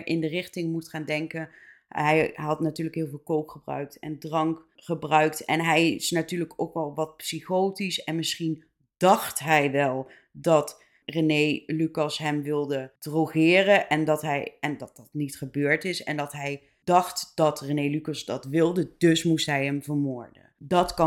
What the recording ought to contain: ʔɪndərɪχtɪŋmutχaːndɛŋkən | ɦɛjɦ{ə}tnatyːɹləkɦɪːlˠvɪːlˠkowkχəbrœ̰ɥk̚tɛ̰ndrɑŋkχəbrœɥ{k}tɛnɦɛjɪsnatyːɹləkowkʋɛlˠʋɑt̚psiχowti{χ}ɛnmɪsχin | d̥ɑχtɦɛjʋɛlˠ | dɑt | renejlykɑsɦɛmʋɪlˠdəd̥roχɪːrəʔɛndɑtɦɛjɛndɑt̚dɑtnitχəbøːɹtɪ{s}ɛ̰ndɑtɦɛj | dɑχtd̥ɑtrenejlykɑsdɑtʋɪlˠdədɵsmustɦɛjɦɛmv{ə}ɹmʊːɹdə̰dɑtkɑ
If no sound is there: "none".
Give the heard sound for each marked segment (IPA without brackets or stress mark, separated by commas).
ɑ, k, s, s, ə